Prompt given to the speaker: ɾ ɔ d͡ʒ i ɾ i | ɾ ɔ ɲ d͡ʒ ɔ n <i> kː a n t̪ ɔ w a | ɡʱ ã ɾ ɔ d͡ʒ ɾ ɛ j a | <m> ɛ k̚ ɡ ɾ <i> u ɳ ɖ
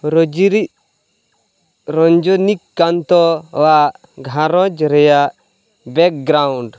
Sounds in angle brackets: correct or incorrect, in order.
correct, incorrect: b, incorrect: a

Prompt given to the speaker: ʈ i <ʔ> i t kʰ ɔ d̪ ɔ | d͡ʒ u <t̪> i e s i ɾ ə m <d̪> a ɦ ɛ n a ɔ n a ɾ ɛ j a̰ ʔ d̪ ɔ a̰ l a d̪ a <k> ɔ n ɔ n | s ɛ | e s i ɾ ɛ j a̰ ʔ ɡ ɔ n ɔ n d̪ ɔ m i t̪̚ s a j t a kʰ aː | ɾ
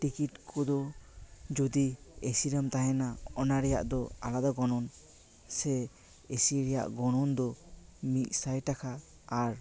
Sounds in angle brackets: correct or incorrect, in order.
incorrect: k, incorrect: d̪, incorrect: t̪, incorrect: ɡ

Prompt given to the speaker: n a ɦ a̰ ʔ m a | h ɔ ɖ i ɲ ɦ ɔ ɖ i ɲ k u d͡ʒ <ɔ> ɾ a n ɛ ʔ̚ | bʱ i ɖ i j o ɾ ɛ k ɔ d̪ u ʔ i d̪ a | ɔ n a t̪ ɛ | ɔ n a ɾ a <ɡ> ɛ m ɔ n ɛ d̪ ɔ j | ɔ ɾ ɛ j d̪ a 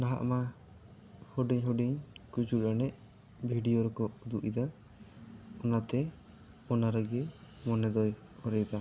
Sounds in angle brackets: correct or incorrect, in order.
incorrect: u, correct

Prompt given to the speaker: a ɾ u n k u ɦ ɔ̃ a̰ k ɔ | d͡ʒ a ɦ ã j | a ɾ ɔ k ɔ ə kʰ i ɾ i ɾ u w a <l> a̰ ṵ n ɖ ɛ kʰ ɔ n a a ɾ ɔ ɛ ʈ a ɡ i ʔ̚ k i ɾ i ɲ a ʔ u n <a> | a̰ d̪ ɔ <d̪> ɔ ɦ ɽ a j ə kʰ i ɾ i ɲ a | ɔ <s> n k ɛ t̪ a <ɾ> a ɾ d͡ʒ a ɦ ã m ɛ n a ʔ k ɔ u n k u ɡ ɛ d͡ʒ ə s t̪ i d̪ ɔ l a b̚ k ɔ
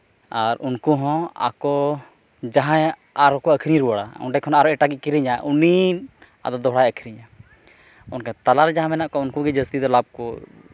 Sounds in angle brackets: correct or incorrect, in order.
incorrect: ɽ, incorrect: i, correct, incorrect: none, incorrect: l

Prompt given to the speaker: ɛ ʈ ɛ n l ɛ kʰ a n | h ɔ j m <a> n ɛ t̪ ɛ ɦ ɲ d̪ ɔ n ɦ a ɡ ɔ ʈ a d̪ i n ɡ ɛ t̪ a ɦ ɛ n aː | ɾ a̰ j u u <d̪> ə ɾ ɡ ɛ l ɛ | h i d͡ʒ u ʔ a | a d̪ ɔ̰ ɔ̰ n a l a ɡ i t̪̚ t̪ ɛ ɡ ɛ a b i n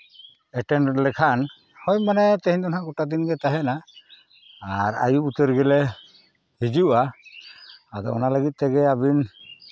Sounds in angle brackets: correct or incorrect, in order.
correct, incorrect: t̪

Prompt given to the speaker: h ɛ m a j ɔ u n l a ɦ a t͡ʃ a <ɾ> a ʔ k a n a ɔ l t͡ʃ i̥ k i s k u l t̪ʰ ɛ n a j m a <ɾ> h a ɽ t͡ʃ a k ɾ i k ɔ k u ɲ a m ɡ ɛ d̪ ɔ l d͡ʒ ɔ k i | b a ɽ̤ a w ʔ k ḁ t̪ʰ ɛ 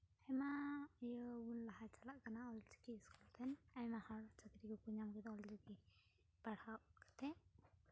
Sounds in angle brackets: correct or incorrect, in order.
incorrect: l, incorrect: none

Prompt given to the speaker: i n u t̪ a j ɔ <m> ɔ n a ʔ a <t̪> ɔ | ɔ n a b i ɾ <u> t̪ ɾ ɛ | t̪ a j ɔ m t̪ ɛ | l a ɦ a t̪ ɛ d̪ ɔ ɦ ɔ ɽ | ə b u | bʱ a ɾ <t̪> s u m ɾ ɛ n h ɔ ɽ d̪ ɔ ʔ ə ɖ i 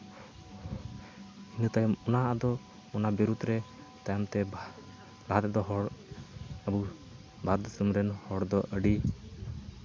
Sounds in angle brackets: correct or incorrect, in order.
correct, incorrect: d̪, correct, incorrect: d̪

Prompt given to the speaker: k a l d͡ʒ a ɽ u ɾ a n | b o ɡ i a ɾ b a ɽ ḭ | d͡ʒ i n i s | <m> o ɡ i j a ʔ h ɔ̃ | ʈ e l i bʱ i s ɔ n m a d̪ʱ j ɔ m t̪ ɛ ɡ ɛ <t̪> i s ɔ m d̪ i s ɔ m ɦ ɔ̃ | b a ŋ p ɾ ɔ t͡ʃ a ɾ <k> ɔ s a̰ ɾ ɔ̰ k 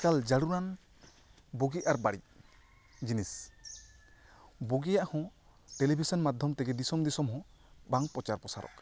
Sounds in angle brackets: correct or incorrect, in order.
incorrect: b, incorrect: d̪, incorrect: p

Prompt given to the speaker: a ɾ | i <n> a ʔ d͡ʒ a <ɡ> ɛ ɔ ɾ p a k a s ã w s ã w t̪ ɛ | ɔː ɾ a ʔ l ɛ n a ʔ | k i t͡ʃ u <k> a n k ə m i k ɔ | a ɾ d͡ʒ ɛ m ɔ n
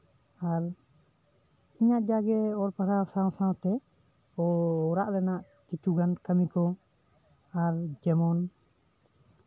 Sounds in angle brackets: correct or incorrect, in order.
incorrect: ɲ, correct, incorrect: ɡ

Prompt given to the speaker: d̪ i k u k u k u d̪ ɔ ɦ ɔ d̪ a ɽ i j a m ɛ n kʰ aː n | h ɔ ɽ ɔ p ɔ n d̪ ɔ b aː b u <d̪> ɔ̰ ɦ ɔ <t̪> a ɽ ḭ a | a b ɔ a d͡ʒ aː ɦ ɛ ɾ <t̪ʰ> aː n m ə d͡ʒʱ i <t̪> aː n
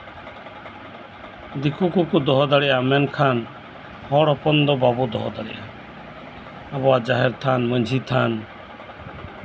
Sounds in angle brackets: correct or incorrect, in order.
correct, incorrect: d̪, correct, incorrect: t̪ʰ

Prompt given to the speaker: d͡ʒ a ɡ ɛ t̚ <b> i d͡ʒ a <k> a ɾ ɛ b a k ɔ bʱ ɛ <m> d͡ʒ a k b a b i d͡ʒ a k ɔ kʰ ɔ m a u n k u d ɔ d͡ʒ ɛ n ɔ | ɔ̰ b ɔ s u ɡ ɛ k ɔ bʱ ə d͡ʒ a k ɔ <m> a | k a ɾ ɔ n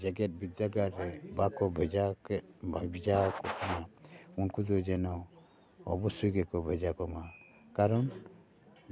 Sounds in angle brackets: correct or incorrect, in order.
correct, incorrect: ɡ, incorrect: none, correct

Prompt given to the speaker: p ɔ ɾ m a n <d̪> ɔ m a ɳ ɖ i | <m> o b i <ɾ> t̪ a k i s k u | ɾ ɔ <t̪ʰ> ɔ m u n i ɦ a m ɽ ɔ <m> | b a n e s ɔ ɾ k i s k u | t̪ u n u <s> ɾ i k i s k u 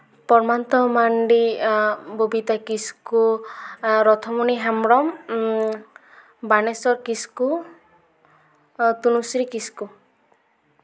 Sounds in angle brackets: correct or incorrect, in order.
incorrect: t̪, incorrect: b, incorrect: none, correct, correct, correct

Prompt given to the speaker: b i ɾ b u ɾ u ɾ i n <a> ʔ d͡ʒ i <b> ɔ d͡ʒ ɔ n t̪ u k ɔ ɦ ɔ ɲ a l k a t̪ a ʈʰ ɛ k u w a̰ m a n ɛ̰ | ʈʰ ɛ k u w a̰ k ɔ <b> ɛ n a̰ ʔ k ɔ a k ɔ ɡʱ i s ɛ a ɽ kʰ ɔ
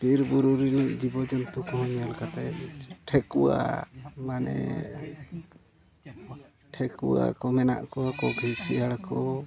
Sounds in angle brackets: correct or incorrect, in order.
incorrect: i, correct, incorrect: m

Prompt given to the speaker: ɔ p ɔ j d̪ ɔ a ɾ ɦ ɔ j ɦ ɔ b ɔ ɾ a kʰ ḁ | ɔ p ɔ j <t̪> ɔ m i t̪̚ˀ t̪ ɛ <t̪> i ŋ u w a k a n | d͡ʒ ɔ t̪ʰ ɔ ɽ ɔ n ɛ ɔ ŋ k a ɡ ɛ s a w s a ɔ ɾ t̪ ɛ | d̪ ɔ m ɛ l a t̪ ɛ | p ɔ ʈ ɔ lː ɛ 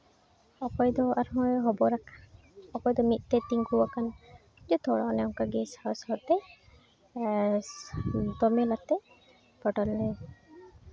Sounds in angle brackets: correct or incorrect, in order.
incorrect: d̪, correct

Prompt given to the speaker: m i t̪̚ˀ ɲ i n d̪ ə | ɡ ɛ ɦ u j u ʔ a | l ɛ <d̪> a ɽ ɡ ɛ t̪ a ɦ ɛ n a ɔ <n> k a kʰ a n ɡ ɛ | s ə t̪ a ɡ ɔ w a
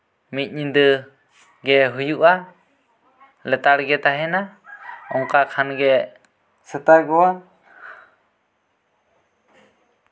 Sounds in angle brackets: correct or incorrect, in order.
incorrect: t̪, incorrect: ŋ

